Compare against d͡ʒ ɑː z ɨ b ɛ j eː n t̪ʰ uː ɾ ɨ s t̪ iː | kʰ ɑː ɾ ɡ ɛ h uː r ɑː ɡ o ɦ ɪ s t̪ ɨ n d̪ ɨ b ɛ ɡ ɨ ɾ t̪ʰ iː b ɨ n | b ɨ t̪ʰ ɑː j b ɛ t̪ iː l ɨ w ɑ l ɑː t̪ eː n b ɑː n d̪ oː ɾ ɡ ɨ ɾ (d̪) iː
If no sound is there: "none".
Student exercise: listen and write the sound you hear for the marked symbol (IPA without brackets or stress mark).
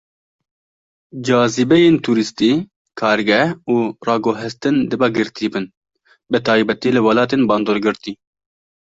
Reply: t̪